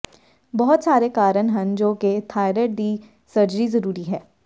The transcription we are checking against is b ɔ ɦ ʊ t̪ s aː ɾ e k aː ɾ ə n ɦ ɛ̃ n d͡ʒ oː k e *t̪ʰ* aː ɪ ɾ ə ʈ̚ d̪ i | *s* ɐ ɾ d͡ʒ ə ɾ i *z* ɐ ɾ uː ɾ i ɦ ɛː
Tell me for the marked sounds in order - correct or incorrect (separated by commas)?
correct, correct, correct